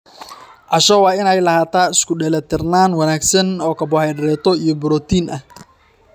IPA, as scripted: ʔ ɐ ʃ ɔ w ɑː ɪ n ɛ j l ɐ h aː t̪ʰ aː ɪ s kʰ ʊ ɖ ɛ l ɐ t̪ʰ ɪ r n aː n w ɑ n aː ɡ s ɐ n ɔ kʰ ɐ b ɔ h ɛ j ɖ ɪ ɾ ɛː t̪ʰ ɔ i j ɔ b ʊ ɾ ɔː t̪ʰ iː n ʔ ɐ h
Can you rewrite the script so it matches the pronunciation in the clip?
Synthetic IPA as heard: ʔ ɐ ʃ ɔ w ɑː ɪ n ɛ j l ɐ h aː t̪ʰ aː ɪ s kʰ ʊ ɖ ɛ l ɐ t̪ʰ ɪ r n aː n w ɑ n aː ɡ s ɐ n ɔː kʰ ɐ b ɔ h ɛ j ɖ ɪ ɾ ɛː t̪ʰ ɔ i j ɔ b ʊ ɾ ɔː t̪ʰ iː n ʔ ɐ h